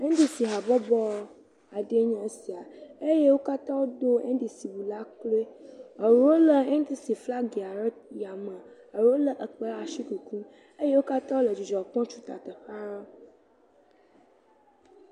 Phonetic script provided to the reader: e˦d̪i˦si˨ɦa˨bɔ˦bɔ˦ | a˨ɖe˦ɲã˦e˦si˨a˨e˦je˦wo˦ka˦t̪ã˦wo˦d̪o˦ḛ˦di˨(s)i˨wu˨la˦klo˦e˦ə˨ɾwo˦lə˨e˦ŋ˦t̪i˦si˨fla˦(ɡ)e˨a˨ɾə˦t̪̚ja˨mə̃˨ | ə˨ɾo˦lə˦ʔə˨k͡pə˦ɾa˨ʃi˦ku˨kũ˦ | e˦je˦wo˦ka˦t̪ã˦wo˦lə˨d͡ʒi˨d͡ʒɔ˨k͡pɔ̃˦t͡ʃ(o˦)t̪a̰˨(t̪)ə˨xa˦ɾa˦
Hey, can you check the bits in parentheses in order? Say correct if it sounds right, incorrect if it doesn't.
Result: correct, correct, incorrect: u˦, correct

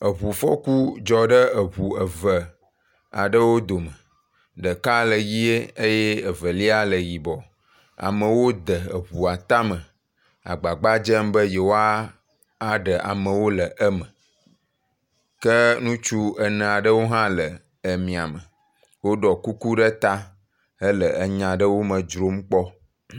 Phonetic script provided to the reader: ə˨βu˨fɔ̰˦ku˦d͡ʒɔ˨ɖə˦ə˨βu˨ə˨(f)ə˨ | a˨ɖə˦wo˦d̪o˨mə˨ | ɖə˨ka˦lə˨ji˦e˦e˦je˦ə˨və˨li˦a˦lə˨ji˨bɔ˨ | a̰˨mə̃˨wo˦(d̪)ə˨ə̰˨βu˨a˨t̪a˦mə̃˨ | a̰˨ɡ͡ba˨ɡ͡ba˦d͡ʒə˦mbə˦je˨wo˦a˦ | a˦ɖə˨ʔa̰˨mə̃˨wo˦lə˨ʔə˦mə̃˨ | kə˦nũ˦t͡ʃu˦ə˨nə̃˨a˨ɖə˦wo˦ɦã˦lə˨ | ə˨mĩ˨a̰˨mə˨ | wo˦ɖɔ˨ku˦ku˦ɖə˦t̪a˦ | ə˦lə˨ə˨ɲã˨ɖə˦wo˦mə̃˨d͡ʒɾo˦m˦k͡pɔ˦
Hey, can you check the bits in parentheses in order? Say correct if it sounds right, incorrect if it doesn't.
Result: incorrect: v, correct

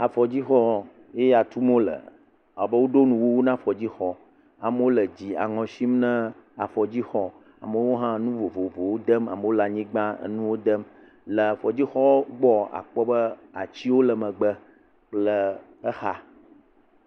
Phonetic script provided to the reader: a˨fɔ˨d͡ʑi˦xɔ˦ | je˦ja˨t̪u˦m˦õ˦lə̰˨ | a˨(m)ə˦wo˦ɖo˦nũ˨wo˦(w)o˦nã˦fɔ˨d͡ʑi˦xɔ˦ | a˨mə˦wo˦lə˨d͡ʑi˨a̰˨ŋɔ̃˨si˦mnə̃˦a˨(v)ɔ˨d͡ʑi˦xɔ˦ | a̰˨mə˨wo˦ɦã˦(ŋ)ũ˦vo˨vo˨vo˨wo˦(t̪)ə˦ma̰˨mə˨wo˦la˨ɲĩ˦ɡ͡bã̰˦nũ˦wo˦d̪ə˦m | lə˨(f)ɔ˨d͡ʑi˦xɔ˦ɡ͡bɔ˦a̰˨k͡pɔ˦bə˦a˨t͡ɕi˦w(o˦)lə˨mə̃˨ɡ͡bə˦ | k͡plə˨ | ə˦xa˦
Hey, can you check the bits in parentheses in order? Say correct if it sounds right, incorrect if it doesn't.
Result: incorrect: b, correct, incorrect: f, incorrect: n, incorrect: d̪, correct, correct

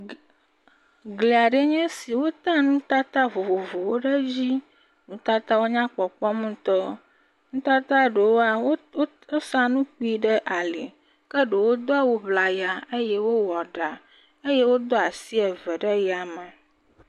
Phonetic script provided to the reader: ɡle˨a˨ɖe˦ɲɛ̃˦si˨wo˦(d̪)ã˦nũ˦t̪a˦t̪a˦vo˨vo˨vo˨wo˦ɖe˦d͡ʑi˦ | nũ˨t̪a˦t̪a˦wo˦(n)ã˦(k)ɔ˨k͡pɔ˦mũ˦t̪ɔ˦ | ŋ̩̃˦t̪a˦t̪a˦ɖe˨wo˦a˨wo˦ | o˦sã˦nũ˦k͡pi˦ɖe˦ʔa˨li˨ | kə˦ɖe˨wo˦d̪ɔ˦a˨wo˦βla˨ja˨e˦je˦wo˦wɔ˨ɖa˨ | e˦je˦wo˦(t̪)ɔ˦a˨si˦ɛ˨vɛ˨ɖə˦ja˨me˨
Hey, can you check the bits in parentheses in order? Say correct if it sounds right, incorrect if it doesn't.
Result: incorrect: t̪, incorrect: ɲ, incorrect: k͡p, incorrect: d̪

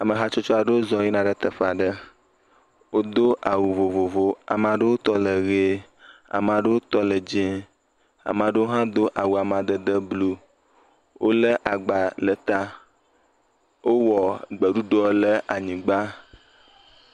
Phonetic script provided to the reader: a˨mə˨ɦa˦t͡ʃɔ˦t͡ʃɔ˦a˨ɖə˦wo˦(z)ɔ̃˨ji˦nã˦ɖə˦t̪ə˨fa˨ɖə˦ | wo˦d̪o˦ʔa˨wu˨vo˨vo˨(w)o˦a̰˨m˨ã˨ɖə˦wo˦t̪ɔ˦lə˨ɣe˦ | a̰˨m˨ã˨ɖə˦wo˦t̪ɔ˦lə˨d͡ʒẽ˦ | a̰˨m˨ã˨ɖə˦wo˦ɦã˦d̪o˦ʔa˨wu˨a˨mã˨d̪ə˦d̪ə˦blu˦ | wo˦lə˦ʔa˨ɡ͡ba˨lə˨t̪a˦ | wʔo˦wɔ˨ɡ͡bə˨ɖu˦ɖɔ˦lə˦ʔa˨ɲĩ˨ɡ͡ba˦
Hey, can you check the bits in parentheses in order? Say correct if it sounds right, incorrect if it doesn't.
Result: correct, incorrect: v

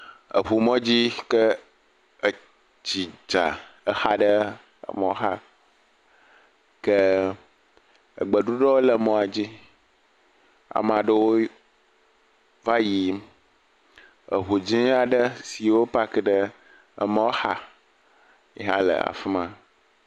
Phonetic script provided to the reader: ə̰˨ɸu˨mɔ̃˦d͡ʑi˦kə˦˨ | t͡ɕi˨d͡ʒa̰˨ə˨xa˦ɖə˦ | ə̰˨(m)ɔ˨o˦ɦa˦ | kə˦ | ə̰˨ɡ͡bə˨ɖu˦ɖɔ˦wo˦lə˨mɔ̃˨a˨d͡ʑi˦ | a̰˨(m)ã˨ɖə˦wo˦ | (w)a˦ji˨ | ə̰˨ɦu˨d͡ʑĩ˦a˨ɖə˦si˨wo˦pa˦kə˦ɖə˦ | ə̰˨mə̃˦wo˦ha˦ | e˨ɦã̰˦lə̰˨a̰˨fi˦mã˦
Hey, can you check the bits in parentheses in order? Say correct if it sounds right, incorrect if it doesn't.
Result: correct, correct, incorrect: v

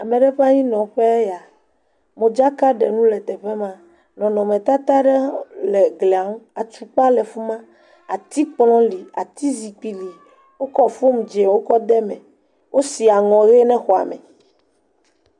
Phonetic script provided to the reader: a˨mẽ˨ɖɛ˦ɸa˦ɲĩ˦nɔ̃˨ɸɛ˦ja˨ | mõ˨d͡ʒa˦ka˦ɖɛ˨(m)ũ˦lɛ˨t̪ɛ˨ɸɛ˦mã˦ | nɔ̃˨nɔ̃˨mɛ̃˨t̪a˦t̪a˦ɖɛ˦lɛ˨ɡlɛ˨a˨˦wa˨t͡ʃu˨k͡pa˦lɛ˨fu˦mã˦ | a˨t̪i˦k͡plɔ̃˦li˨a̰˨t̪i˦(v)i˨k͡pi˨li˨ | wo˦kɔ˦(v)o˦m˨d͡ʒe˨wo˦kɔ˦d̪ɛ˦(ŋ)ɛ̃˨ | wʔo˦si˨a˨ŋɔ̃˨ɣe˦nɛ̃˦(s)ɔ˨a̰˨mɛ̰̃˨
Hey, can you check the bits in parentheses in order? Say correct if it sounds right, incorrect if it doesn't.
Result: incorrect: n, incorrect: z, incorrect: f, incorrect: m, incorrect: x

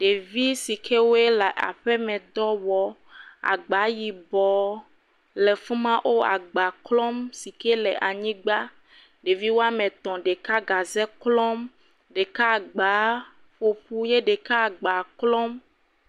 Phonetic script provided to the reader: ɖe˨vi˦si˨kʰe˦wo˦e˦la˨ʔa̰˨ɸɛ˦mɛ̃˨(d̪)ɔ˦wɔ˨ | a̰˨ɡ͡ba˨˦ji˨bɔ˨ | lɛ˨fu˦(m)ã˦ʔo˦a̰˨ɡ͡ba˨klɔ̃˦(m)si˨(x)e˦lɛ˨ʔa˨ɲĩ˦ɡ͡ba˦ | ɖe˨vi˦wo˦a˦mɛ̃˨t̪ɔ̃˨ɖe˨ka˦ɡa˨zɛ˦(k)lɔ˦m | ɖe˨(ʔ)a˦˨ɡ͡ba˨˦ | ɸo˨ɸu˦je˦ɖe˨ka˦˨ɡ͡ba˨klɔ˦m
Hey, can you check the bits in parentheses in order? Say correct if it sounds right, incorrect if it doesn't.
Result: correct, correct, correct, incorrect: k, correct, incorrect: k

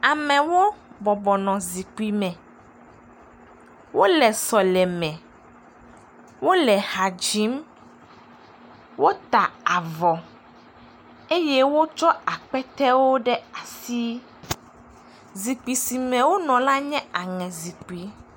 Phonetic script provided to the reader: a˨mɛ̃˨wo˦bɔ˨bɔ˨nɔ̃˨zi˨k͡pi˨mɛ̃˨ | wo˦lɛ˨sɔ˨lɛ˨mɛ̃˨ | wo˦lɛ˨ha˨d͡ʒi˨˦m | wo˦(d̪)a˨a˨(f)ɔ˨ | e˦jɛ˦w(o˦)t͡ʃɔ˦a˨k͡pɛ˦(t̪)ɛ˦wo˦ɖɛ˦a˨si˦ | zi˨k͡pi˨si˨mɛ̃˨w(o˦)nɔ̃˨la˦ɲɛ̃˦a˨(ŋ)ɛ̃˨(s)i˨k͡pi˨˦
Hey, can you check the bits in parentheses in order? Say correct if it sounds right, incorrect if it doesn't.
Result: incorrect: t̪, incorrect: v, correct, correct, correct, correct, incorrect: z

